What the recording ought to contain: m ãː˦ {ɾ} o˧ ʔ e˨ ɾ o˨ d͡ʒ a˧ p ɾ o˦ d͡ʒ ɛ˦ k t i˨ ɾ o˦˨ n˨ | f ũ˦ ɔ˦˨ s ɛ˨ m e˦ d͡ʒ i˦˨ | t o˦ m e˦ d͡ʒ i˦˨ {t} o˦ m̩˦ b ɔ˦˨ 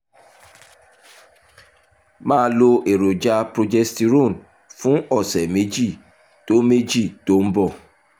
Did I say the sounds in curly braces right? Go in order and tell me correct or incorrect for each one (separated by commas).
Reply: incorrect, correct